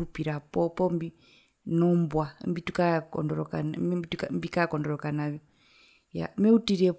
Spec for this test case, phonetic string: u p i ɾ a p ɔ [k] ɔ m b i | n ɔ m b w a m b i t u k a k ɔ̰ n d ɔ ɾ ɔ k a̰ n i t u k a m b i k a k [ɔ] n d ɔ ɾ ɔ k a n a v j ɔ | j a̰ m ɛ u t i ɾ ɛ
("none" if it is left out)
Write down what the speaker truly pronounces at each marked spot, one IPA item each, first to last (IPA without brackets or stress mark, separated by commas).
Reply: p, ɔ